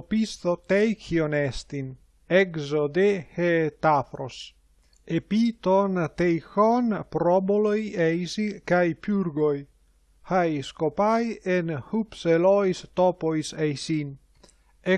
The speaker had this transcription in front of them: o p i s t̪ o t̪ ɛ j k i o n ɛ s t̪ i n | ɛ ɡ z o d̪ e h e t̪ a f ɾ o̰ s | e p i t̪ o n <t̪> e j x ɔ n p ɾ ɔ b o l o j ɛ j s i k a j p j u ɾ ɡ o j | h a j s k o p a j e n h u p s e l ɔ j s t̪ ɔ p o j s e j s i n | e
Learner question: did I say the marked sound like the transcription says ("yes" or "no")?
yes